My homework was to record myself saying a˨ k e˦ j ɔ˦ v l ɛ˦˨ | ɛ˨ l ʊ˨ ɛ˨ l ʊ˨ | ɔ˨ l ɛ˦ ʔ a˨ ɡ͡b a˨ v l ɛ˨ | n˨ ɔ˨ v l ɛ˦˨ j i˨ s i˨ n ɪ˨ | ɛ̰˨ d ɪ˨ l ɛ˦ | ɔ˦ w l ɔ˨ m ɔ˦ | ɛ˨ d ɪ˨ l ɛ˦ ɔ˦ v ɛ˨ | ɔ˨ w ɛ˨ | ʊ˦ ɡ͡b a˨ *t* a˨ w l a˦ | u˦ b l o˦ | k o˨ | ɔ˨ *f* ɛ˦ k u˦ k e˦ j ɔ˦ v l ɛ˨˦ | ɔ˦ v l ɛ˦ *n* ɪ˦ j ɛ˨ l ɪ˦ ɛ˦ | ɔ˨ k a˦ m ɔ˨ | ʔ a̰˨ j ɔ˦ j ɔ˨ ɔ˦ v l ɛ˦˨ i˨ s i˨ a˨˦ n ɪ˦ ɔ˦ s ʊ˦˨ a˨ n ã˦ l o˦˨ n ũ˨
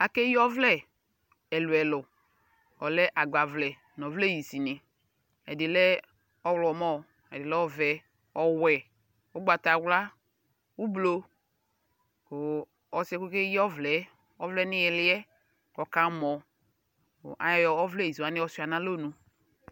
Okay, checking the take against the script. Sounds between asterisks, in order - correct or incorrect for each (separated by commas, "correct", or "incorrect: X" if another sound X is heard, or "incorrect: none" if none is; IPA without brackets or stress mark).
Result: correct, incorrect: s, correct